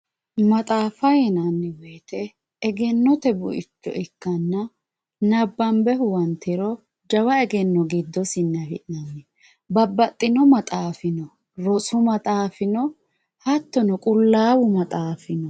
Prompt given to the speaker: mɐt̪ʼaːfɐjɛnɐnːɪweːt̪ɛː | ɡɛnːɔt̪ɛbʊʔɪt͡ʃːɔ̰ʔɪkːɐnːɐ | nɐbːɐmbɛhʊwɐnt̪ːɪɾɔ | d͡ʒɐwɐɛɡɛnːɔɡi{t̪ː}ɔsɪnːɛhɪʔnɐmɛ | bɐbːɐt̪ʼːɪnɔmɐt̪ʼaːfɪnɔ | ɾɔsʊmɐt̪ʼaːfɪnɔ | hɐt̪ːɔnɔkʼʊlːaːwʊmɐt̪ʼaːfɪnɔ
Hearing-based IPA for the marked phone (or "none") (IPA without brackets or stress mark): d̪ː